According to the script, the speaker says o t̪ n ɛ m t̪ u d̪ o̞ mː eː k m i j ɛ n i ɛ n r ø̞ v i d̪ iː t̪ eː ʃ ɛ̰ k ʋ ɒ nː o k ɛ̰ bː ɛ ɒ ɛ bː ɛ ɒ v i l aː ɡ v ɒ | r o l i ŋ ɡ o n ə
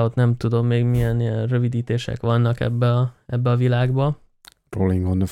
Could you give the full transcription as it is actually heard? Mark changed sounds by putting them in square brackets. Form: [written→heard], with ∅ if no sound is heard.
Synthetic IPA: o t̪ n ɛ m t̪ u d̪ o̞ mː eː [k→ɡ] m i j ɛ n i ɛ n r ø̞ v i d̪ iː t̪ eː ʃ ɛ̰ k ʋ ɒ nː [o→ɒ] k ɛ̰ bː ɛ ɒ ɛ bː ɛ ɒ v i l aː ɡ [v→b] ɒ | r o l i ŋ ɡ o n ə